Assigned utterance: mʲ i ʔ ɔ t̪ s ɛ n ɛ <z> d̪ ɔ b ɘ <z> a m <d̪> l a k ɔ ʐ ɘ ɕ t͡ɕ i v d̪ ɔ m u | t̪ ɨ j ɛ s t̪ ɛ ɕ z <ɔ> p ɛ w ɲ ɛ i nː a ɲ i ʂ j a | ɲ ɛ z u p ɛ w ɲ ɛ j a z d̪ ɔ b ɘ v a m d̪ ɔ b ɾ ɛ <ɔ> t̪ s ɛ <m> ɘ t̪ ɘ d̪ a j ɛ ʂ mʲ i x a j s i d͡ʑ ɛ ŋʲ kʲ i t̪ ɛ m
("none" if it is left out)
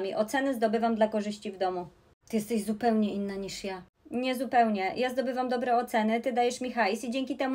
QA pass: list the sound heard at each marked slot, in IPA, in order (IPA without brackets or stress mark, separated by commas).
z, v, d̪, u, ɔ, n